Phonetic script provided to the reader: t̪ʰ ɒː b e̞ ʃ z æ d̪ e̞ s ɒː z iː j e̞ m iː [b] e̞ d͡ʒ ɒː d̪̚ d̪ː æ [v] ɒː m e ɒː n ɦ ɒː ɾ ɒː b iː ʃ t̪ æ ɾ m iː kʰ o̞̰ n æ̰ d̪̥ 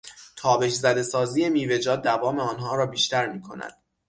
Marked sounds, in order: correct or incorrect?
incorrect, correct

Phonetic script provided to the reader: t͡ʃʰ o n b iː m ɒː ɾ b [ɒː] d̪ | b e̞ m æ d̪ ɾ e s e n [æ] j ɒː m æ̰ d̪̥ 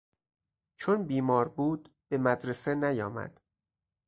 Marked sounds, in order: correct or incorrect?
incorrect, correct

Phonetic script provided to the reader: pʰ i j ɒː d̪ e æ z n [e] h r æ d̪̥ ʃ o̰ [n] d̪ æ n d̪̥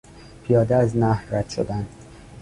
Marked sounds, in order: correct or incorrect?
incorrect, incorrect

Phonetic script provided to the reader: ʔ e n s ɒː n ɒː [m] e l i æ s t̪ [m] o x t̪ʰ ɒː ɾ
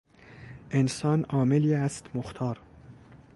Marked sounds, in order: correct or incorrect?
correct, correct

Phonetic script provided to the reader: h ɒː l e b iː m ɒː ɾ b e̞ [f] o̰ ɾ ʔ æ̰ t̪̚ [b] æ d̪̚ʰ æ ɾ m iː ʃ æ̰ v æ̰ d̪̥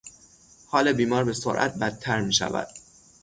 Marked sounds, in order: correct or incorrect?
incorrect, correct

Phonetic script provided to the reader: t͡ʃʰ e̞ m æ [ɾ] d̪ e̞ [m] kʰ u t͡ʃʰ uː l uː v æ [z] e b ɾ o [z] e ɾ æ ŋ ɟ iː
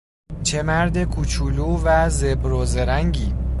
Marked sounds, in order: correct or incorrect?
correct, incorrect, correct, correct

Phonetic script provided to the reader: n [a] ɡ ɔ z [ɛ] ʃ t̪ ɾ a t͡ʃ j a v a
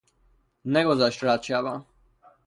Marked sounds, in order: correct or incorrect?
incorrect, incorrect

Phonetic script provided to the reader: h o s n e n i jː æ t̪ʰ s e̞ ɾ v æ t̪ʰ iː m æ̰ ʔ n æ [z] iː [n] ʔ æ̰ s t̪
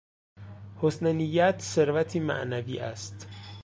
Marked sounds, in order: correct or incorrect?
incorrect, incorrect

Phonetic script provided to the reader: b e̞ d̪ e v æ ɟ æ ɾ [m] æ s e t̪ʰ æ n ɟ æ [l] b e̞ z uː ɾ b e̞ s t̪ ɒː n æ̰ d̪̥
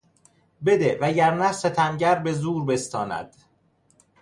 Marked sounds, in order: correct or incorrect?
incorrect, incorrect

